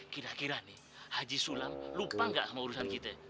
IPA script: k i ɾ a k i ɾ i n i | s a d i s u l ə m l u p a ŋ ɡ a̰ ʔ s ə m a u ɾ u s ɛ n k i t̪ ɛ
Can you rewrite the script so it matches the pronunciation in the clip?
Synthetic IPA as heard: k i ɾ a k i ɾ a n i | h a d͡ʒ i s u l a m l u p a ŋ ɡ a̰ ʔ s a m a u ɾ u s a n k i t̪ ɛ